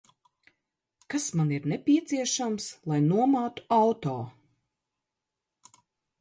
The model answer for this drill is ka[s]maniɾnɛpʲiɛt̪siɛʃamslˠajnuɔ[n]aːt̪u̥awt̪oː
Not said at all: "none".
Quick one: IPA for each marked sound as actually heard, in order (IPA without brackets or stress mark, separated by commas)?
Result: s, m